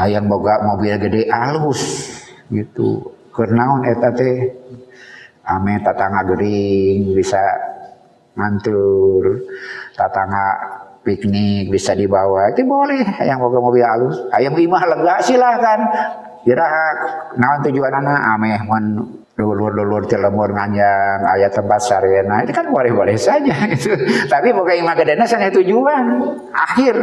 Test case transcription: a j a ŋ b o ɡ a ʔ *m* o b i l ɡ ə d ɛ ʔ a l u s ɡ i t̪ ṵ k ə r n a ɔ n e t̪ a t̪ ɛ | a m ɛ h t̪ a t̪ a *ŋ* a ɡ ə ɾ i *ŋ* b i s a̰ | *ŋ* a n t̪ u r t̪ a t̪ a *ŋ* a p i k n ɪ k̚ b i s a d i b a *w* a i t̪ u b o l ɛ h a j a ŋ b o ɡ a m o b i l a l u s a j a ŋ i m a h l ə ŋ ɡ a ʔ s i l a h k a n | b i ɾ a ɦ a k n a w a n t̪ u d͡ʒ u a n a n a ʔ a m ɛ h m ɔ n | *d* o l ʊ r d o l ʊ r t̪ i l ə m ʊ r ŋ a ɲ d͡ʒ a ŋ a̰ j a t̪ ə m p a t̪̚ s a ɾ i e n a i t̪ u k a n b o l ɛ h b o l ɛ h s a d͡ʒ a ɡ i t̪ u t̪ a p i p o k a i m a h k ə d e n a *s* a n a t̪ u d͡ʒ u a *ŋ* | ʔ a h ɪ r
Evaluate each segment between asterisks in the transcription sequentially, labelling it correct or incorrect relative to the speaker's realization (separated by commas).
correct, correct, correct, correct, correct, correct, correct, correct, incorrect